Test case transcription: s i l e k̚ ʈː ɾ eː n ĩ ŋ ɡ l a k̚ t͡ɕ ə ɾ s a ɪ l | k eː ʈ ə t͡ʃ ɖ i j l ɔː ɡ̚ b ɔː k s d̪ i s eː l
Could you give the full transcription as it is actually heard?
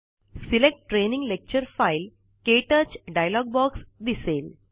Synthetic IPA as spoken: s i l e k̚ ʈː ɾ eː n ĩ ŋ ɡ l e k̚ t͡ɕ ə ɾ f a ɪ l | k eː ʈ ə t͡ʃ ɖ a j l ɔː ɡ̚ b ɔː k s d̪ i s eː l

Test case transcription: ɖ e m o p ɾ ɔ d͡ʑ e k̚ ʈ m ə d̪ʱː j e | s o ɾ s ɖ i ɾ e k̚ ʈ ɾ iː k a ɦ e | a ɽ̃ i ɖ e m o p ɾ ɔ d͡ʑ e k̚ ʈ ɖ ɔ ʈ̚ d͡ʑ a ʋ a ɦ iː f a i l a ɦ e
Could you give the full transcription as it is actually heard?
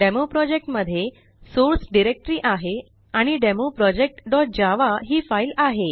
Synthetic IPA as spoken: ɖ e m o p ɾ ɔ d͡ʑ e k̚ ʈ m ə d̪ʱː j e | s o ɾ s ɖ i ɾ e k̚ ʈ ɾ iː ʔ a ɦ e | a ɽ̃ i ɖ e m o p ɾ ɔ d͡ʑ e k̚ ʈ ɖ ɔ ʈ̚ d͡ʑ a ʋ a ɦ iː f a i l a ɦ e

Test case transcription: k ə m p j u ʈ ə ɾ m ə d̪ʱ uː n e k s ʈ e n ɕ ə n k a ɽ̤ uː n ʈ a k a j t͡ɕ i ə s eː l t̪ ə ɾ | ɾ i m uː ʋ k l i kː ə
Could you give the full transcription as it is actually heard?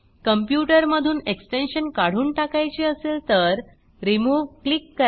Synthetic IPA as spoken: k ə m p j u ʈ ə ɾ m ə d̪ʱ uː n e k s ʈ e n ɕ ə n k a ɽ̤ uː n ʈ a k a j t͡ɕ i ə s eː l t̪ ə ɾ | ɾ i m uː ʋ k l i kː ə

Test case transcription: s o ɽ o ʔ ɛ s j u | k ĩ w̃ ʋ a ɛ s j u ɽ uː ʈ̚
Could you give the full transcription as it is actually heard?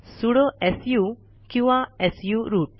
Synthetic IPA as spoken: s u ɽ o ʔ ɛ s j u | k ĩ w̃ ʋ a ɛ s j u ɾ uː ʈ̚

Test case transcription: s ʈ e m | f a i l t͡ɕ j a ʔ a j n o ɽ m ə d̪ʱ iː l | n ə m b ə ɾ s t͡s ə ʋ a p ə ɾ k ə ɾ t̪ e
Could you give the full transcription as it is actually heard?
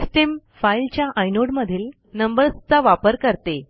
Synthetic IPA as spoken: s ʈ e m | f a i l t͡ɕ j a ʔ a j n o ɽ m ə d̪ʱ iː l | n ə m b ə ɾ s t͡s a ʋ a p ə ɾ k ə ɾ t̪ e

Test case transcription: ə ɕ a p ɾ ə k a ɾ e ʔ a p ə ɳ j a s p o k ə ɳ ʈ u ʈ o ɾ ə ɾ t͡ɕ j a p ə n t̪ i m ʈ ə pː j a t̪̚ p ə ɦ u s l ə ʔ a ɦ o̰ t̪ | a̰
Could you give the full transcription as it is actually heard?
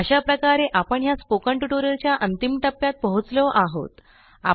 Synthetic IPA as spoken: ə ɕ a p ɾ ə k a ɾ e ʔ a p ə ɳ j a s p o k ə ɳ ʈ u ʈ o ɾ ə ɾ t͡ɕ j a ʔ ə n t̪ i m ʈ ə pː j a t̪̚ p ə ɦ u t͡s l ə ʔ a ɦ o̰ t̪ | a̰

